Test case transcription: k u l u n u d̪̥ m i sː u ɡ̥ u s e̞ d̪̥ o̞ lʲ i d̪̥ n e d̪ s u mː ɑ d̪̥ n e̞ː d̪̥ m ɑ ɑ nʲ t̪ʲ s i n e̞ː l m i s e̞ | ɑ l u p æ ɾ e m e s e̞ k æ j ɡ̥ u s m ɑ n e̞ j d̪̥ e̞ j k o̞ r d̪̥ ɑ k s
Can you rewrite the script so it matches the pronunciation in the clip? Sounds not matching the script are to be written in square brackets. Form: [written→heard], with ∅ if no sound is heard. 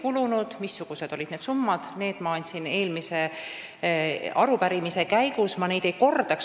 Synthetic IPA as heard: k u l u n u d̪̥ m i sː u ɡ̥ u s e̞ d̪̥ o̞ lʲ i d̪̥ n e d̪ s u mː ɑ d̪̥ n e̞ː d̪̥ m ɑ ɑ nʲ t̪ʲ s i n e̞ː l m i s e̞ | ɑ [l→ɾ] u p æ ɾ [e→i] m [e→i] s e̞ k æ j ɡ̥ u s m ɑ n e̞ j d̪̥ e̞ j k o̞ r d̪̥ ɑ k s